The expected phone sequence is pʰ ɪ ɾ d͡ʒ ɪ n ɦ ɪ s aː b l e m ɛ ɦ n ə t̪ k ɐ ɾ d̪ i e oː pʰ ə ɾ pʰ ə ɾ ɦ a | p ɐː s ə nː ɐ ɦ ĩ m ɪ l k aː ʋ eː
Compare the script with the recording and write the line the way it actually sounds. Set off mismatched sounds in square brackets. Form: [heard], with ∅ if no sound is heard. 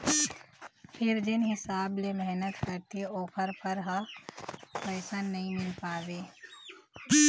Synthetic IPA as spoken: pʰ ɪ ɾ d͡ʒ ɪ n ɦ ɪ s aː b l e m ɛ ɦ n ə t̪ k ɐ ɾ [t̪] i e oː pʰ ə ɾ pʰ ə ɾ ɦ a | p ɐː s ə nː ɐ ɦ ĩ m ɪ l [p] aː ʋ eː